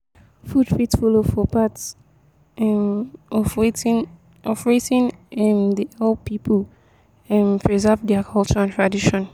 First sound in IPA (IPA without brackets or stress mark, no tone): f